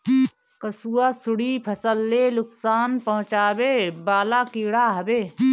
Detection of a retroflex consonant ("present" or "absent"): present